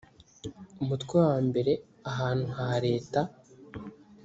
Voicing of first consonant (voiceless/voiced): voiced